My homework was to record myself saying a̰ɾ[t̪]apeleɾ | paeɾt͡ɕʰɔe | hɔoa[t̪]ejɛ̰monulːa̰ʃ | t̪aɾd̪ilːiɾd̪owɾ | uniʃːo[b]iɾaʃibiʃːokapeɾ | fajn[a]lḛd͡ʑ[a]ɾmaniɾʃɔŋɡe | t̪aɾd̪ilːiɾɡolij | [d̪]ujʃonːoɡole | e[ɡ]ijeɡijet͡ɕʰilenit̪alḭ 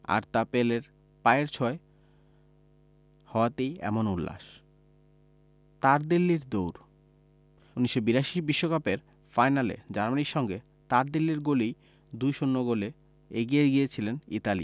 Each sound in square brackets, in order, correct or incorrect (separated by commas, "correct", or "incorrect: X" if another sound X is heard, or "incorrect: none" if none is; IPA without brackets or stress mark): correct, correct, correct, correct, correct, correct, correct